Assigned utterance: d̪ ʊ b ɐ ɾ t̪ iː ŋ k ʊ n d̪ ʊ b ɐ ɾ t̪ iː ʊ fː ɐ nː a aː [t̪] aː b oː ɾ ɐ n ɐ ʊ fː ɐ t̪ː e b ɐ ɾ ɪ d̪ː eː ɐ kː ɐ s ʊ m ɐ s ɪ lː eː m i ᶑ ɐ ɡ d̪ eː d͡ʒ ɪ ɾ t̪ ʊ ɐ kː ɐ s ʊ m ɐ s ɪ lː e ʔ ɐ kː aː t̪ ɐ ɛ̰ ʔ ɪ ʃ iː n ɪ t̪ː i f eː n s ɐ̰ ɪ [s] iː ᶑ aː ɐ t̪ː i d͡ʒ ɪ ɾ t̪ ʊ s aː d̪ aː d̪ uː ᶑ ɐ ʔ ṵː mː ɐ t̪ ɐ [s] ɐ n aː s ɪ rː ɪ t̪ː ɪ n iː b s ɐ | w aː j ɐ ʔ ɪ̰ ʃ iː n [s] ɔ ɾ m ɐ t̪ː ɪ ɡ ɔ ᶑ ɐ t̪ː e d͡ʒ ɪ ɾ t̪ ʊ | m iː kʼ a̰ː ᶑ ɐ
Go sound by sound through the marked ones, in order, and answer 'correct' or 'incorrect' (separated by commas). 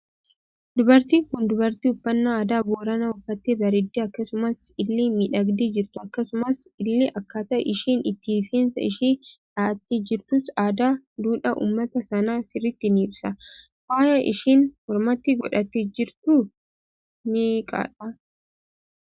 incorrect, incorrect, correct, incorrect